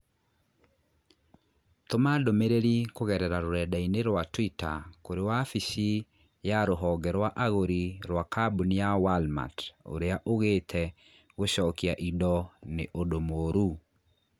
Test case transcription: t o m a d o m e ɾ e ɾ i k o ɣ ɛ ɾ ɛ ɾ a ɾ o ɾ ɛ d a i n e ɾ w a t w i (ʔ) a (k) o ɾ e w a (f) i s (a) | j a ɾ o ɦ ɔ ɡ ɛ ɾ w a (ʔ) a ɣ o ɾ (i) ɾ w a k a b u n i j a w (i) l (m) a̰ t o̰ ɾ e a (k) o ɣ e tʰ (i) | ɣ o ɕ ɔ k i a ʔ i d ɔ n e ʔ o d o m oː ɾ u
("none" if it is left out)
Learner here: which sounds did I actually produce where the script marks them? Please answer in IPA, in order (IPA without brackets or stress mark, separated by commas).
t, k, f, i, ʔ, i, a, m, ʔ, ɛ